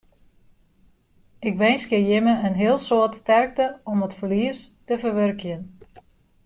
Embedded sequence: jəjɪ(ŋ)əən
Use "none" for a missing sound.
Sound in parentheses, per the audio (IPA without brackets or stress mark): m